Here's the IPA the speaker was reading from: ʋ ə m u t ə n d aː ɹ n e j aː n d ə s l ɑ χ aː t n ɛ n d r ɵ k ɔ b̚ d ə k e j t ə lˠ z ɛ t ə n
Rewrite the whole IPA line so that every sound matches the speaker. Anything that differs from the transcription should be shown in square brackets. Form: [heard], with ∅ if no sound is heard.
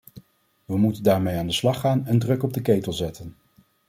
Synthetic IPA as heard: ʋ ə m u t ə n d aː ɹ [m] e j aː n d ə s l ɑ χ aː [∅] n ɛ n d r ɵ k ɔ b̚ d ə k e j t ə lˠ z ɛ t ə n